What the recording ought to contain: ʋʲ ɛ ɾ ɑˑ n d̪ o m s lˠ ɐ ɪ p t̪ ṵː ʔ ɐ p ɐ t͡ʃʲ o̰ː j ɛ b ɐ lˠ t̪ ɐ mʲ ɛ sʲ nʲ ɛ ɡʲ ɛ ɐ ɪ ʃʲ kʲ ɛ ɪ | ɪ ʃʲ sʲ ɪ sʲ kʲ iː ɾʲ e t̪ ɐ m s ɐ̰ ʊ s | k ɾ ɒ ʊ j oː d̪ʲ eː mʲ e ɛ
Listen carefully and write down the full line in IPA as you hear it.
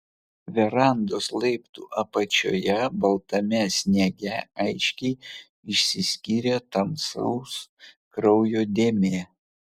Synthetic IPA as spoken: ʋʲ ɛ ɾ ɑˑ n d̪ o s lˠ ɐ ɪ p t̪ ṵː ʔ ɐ p ɐ t͡ʃʲ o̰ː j ɛ b ɐ lˠ t̪ ɐ mʲ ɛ sʲ nʲ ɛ ɡʲ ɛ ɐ ɪ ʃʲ kʲ ɛ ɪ | ɪ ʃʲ sʲ ɪ sʲ kʲ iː ɾʲ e t̪ ɐ m s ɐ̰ ʊ s | k ɾ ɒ ʊ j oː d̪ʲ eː mʲ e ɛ

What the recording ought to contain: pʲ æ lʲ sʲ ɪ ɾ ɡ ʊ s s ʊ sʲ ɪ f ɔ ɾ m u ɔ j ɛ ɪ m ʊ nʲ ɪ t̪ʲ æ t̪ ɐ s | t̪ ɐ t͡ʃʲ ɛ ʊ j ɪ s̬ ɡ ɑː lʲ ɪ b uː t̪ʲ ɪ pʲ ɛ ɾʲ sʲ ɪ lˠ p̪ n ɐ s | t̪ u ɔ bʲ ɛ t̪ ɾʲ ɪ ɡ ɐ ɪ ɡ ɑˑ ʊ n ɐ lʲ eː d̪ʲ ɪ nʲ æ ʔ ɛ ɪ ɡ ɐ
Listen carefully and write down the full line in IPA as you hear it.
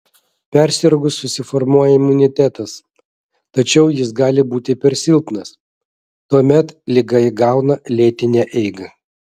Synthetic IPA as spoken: pʲ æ ɾʲ sʲ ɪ ɾ ɡ ʊ s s ʊ sʲ ɪ f ɔ ɾ m u ɔ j ɛ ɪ m ʊ nʲ ɪ t̪ʲ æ t̪ ɐ s | t̪ ɐ t͡ʃʲ ɛ ʊ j ɪ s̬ ɡ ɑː lʲ ɪ b uː t̪ʲ ɪ pʲ ɛ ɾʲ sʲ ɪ lˠ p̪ n ɐ s | t̪ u ɔ mʲ ɛ t̪ lʲ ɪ ɡ ɐ ɪ ɡ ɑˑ ʊ n ɐ lʲ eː t̪ʲ ɪ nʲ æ ʔ ɛ ɪ ɡ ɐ

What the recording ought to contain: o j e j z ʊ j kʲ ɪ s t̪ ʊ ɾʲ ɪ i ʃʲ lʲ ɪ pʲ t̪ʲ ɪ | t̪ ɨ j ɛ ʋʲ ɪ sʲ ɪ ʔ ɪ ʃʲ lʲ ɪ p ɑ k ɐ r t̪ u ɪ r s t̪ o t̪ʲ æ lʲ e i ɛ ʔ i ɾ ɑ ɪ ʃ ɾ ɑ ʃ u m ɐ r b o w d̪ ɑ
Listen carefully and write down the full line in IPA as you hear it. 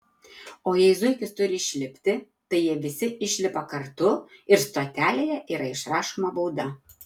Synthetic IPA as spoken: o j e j z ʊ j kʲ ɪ s t̪ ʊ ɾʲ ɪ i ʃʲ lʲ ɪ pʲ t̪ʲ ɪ | t̪ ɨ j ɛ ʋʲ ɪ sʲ ɪ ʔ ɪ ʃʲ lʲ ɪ p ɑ k ɐ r t̪ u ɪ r s t̪ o t̪ʲ æ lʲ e j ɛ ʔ i ɾ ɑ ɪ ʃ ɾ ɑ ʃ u m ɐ b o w d̪ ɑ

